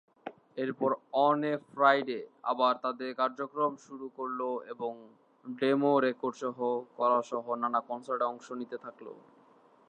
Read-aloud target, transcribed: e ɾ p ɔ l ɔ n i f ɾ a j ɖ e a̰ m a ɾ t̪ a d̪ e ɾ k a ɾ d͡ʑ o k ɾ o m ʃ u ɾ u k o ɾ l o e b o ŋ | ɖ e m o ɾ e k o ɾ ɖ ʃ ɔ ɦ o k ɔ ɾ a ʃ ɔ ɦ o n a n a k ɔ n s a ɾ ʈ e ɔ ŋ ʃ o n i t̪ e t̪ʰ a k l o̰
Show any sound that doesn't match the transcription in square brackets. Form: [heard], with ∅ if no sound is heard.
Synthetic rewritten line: e ɾ p ɔ [ɾ] ɔ n [e] f ɾ a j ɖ e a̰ [b] a ɾ t̪ a d̪ e ɾ k a ɾ d͡ʑ o k ɾ o m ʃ u ɾ u k o ɾ l o e b o ŋ | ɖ e m o ɾ e k o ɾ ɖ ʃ ɔ ɦ o k ɔ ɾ a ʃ ɔ ɦ o n a n a k ɔ n s a ɾ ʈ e ɔ ŋ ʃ o n i t̪ e t̪ʰ a k l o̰